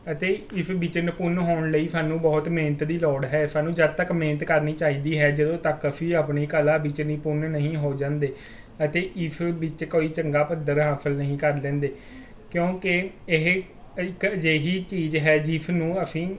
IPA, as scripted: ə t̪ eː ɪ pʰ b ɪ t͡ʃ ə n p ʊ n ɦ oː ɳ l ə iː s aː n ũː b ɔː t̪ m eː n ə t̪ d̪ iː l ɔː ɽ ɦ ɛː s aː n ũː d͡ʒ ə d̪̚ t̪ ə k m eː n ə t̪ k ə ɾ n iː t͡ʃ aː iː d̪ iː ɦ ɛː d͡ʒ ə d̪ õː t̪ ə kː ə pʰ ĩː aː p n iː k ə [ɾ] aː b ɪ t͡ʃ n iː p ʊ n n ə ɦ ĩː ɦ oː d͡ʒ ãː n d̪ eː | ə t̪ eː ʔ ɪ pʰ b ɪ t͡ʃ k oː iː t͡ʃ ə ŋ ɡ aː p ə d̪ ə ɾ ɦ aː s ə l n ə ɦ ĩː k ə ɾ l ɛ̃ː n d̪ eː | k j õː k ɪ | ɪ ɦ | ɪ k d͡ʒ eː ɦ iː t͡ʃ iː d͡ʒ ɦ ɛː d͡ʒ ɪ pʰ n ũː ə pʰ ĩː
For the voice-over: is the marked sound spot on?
no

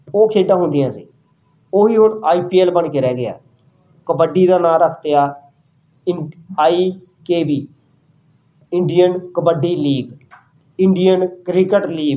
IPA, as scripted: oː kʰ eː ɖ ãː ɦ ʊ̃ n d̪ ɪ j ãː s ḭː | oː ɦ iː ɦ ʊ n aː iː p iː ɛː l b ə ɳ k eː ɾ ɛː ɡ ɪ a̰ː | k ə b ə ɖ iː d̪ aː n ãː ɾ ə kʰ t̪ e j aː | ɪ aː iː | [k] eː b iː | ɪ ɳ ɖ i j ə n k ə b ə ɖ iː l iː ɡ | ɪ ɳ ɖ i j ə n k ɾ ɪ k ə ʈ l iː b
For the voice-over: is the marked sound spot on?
yes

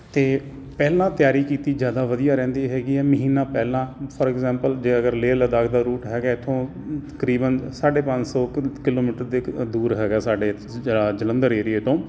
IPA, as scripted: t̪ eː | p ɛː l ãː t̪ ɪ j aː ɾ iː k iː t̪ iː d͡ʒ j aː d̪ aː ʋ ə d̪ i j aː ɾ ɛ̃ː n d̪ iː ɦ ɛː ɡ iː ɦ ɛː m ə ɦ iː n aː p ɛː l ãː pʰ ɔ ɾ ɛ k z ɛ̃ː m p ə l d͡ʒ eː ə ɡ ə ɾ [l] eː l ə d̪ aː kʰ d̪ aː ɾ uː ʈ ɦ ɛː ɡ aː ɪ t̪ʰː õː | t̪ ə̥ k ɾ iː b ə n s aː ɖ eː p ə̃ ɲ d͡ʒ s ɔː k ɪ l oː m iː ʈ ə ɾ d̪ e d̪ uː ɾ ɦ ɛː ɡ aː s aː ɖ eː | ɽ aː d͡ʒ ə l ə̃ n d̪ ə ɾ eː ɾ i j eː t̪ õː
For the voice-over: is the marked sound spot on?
yes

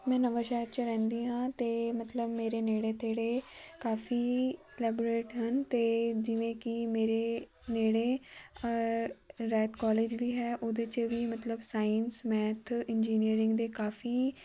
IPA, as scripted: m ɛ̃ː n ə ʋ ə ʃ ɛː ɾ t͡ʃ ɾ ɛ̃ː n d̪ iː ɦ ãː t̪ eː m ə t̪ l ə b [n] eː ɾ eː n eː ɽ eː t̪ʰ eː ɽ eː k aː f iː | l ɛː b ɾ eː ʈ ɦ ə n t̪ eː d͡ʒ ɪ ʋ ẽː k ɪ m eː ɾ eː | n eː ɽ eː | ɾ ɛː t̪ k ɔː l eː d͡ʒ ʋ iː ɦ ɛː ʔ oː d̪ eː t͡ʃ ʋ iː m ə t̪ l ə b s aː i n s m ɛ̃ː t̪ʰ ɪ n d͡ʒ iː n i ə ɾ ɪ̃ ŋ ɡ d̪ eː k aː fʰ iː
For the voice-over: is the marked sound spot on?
no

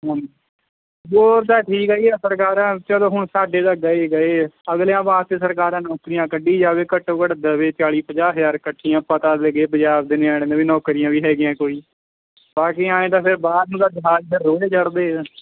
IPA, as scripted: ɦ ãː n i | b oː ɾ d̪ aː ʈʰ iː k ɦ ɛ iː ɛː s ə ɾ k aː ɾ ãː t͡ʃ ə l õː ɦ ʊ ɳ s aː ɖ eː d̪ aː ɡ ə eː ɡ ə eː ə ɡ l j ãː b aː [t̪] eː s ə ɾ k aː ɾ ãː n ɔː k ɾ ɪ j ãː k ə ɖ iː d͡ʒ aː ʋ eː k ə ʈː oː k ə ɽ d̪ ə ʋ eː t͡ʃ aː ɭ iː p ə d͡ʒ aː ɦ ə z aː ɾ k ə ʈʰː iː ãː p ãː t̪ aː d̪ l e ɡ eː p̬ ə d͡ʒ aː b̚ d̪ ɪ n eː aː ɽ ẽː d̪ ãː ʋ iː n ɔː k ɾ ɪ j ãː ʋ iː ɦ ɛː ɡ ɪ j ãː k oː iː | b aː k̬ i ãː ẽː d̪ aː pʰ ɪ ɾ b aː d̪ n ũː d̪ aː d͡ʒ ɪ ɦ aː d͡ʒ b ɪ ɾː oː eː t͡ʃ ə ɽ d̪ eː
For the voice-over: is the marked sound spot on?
yes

